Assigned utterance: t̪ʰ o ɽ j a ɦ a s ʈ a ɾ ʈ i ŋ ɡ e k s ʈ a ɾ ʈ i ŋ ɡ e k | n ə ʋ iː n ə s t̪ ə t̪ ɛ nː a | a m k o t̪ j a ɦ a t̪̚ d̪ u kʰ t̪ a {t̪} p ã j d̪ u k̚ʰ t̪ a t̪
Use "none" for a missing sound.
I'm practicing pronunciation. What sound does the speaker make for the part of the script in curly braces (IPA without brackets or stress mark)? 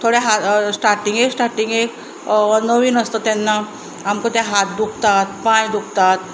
t̪